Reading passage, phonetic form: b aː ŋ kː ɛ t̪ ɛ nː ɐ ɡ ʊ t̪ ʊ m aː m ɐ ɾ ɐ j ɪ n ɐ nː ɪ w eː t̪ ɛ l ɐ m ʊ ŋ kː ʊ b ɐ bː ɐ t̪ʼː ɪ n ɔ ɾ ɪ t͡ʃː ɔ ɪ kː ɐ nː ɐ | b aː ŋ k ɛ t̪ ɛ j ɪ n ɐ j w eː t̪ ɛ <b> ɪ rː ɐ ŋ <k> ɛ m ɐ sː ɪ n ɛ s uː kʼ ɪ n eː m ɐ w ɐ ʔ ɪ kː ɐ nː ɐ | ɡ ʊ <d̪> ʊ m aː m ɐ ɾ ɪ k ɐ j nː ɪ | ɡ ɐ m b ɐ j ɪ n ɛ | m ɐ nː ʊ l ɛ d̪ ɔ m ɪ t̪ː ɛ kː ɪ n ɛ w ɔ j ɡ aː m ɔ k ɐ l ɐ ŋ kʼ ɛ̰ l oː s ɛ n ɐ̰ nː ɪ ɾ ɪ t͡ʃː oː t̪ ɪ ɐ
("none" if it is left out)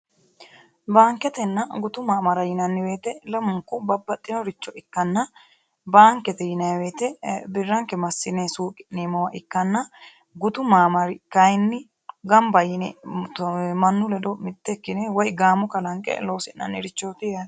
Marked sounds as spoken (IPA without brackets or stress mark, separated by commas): b, k, t̪